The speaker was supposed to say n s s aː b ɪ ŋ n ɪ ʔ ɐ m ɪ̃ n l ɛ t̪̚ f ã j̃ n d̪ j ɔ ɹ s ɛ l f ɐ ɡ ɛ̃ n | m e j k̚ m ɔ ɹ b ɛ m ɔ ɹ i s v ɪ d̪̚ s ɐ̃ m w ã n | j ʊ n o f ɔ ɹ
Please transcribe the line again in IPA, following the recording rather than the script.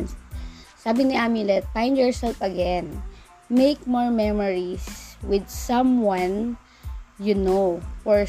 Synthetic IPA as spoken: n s s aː b ɪ ŋ n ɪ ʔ a m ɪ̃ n l ɛ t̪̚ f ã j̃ n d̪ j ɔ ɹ s ɛ l f ɐ ɡ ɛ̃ n | m e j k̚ m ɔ ɹ m ɛ m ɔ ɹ i s w ɪ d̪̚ s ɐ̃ m w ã n | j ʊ n o f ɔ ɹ